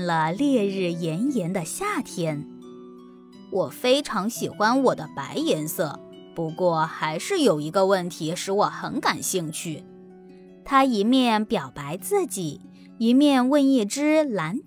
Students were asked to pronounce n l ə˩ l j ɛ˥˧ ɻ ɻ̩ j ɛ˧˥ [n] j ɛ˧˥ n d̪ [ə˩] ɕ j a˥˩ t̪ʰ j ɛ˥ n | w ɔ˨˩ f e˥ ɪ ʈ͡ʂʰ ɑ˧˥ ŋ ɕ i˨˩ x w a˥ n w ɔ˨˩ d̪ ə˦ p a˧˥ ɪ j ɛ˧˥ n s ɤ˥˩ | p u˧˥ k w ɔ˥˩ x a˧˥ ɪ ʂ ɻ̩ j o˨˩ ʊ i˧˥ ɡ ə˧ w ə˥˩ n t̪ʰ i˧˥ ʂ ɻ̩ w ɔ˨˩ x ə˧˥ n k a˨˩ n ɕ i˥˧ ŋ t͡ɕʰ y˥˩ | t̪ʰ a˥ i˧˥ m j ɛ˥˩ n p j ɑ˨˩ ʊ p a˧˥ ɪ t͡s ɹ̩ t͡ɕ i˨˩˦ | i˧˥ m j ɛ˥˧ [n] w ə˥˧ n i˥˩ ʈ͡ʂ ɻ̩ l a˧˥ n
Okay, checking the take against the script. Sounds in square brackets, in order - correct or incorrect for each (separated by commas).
correct, incorrect, correct